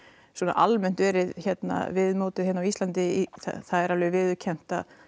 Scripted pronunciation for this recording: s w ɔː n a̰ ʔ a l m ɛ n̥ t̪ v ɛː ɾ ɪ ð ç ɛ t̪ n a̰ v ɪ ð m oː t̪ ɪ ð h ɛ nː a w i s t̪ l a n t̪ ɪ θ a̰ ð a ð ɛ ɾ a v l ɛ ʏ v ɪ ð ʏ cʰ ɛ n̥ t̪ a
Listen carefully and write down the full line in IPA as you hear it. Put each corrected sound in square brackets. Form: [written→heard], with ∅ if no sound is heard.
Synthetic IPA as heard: s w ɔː n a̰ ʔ a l m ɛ n̥ t̪ v ɛː ɾ ɪ ð ç ɛ t̪ n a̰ v ɪ ð m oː t̪ ɪ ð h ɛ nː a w i s t̪ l a n t̪ ɪ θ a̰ [ð→θ] a ð ɛ ɾ a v l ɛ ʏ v ɪ ð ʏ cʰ ɛ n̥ t̪ a